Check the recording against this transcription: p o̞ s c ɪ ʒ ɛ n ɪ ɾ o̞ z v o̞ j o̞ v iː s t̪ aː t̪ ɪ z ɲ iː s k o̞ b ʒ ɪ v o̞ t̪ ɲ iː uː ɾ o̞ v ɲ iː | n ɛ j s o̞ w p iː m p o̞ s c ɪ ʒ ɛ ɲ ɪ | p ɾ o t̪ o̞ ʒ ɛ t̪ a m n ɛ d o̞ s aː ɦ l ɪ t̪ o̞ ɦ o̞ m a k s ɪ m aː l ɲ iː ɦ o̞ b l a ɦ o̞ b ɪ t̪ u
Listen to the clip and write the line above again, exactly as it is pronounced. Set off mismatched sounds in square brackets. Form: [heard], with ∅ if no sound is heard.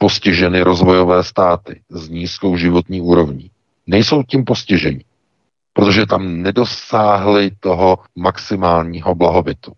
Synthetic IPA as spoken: p o̞ s c ɪ ʒ ɛ n ɪ ɾ o̞ z v o̞ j o̞ v [ɛː] s t̪ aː t̪ ɪ z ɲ iː s k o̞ [w] ʒ ɪ v o̞ t̪ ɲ iː uː ɾ o̞ v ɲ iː | n ɛ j s o̞ w [c] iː m p o̞ s c ɪ ʒ ɛ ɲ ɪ | p ɾ o t̪ o̞ ʒ ɛ t̪ a m n ɛ d o̞ s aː ɦ l ɪ t̪ o̞ ɦ o̞ m a k s ɪ m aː l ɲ iː ɦ o̞ b l a ɦ o̞ b ɪ t̪ u